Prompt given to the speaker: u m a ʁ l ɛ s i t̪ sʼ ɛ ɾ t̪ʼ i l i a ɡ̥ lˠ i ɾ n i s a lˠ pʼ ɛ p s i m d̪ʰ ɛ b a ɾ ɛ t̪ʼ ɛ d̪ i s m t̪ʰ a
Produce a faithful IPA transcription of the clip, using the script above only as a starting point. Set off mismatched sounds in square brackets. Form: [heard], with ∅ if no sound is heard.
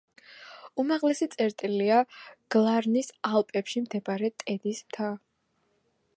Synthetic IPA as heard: u m a ʁ l ɛ s i t̪ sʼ ɛ ɾ t̪ʼ i l i a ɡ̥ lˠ [a] ɾ n i s a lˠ pʼ ɛ p [ʃ] i m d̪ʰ ɛ b a ɾ ɛ t̪ʼ ɛ d̪ i s m t̪ʰ a